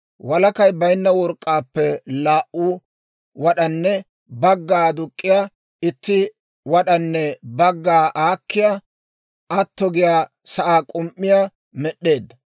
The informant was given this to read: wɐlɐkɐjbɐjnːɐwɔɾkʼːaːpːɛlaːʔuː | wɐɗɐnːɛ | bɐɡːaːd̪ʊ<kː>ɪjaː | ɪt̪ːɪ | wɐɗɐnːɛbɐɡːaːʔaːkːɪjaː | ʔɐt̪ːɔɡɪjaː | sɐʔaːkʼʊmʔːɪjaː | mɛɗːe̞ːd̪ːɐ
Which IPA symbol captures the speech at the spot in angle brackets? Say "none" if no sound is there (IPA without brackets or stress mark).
kʼː